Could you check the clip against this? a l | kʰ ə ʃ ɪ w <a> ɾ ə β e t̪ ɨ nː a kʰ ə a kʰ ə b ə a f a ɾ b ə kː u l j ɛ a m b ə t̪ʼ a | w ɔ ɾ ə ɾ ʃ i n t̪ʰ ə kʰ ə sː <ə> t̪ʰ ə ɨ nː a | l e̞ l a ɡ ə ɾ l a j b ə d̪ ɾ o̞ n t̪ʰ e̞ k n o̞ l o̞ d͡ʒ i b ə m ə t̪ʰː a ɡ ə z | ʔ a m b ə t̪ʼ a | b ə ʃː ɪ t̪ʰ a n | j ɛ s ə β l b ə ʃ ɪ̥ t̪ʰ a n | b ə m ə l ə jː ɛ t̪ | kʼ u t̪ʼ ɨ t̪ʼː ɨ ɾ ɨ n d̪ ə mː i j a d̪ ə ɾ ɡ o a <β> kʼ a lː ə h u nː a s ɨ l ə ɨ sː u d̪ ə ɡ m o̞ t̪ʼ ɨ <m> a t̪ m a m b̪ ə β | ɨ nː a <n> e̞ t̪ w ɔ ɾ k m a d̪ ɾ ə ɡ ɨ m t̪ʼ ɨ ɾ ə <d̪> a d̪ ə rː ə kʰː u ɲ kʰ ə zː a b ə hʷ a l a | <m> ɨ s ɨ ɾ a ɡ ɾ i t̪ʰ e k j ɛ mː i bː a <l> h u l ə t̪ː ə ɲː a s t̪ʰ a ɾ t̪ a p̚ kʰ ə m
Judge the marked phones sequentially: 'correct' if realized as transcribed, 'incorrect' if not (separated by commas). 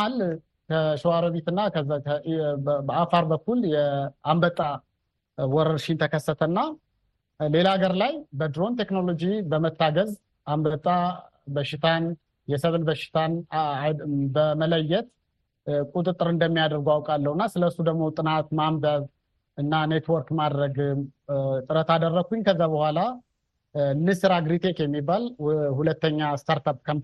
correct, correct, incorrect, incorrect, correct, incorrect, incorrect, correct